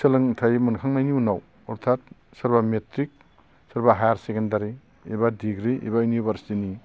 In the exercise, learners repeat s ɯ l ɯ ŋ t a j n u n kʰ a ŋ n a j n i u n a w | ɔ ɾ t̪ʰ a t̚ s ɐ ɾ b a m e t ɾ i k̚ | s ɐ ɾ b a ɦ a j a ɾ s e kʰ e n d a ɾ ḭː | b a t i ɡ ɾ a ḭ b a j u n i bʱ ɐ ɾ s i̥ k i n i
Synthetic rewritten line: s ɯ l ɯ ŋ tʰ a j m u n kʰ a ŋ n a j n i u n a w | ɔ ɾ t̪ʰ a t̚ s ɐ ɾ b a m e t ɾ i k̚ | s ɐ ɾ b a ɦ a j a ɾ s e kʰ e n d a ɾ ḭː | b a d i ɡ ɾ i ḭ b a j u n i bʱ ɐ ɾ s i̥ t i n i